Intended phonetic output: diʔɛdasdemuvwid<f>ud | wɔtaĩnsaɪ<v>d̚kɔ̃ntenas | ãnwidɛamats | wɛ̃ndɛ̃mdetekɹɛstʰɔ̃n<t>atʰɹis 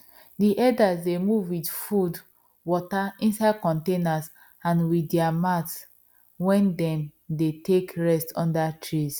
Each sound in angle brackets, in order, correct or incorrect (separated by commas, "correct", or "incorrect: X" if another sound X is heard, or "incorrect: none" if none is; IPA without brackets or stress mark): correct, incorrect: none, incorrect: d